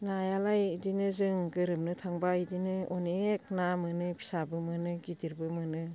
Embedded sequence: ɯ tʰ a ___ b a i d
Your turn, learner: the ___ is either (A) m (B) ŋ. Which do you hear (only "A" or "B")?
B